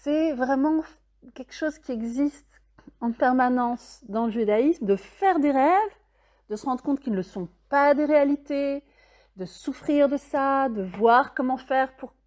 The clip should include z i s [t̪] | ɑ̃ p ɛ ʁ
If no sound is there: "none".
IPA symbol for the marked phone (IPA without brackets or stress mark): t̪